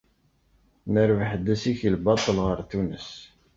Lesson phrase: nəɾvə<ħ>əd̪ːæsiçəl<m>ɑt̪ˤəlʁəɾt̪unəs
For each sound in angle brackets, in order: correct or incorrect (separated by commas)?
correct, incorrect